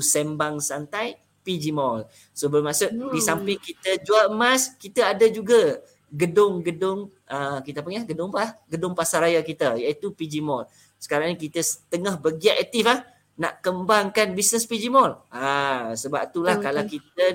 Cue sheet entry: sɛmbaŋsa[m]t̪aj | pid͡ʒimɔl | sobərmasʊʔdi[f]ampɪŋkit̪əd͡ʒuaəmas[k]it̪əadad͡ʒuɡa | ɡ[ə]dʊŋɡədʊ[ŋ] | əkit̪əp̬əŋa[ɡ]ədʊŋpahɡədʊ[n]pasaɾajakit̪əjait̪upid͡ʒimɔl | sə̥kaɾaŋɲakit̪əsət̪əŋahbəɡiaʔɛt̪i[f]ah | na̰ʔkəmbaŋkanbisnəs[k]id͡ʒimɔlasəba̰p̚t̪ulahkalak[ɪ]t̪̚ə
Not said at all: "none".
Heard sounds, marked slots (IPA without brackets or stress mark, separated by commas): n, s, k, ə, ŋ, ɡ, ŋ, f, p, i